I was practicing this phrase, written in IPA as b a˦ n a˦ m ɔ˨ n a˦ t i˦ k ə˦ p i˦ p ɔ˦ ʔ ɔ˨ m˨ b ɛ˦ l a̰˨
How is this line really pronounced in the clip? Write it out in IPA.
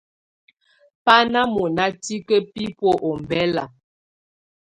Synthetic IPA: p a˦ n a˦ m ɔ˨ n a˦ t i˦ k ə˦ p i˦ p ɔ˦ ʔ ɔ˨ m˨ b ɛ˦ l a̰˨